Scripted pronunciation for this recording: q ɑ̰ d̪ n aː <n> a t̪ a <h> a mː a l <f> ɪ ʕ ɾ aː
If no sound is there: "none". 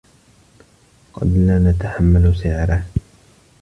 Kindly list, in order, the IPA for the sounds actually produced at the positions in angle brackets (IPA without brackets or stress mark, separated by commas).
n, ħ, s